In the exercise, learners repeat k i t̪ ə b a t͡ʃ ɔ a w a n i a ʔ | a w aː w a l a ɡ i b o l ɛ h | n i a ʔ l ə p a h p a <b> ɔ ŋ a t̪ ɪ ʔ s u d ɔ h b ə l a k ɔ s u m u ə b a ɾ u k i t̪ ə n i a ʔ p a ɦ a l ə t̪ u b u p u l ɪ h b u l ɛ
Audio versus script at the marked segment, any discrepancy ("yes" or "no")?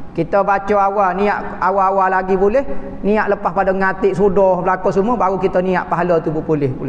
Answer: yes